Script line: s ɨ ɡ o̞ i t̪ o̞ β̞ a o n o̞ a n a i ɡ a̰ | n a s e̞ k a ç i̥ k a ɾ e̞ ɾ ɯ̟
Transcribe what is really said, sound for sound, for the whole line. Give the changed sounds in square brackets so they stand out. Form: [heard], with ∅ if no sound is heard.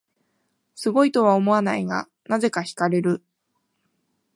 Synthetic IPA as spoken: s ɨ ɡ o̞ i t̪ o̞ β̞ a o [m] o̞ a n a i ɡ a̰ | n a [z] e̞ k a ç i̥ k a ɾ e̞ ɾ ɯ̟